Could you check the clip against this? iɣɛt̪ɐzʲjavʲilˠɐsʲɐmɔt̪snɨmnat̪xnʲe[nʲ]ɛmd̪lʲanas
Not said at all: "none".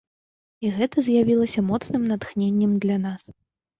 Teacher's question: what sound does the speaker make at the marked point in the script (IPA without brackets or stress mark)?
nʲː